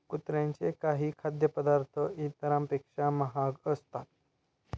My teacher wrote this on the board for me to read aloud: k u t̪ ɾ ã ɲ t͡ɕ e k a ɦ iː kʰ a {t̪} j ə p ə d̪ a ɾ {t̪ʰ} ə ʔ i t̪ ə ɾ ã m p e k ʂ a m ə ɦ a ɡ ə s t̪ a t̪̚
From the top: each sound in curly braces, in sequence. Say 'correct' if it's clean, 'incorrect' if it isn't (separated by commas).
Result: incorrect, correct